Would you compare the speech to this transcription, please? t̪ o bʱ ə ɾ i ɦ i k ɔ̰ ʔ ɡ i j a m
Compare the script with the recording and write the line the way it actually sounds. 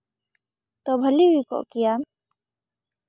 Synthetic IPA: t̪ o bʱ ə l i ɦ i k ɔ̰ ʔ k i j a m